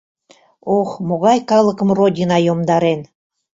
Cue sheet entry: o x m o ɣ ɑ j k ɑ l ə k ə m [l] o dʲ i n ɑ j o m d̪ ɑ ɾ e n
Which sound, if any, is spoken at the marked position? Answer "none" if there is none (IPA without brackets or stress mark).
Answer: r